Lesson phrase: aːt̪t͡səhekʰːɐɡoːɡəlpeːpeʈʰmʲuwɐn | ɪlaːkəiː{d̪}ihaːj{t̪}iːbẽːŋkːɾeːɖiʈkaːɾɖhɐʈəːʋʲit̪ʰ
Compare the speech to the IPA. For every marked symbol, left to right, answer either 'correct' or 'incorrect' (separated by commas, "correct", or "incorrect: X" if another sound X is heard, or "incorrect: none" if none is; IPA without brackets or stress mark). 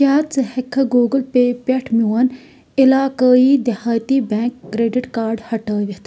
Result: correct, correct